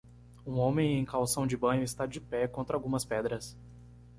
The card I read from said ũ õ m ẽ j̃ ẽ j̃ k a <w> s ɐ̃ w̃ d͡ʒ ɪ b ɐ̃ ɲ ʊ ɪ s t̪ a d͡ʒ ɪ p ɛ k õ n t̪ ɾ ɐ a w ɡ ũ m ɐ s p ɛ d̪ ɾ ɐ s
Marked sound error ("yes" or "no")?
no